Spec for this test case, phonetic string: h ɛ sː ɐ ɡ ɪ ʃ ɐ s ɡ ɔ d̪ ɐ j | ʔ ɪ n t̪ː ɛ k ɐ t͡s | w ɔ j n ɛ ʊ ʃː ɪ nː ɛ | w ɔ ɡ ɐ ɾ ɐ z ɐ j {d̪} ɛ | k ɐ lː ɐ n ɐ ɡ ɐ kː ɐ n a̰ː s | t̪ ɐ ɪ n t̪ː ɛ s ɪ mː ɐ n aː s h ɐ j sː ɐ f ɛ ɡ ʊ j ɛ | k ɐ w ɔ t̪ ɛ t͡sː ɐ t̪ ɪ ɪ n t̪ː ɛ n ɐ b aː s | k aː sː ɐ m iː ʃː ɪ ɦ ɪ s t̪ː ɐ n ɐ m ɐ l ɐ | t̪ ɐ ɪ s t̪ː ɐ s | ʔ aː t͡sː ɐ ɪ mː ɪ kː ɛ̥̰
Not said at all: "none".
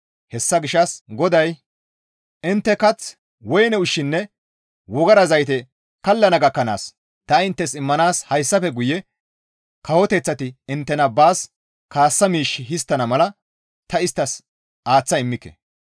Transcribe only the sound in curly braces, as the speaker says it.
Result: t̪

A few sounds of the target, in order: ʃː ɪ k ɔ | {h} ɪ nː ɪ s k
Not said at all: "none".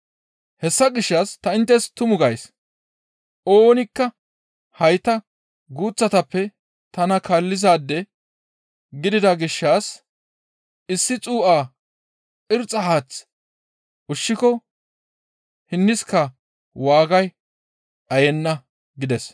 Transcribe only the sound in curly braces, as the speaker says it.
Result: h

